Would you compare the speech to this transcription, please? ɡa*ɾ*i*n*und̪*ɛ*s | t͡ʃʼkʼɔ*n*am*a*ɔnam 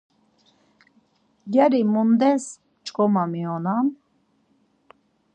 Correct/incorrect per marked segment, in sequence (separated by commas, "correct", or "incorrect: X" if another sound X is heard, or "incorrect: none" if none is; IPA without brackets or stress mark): correct, incorrect: m, correct, incorrect: m, incorrect: i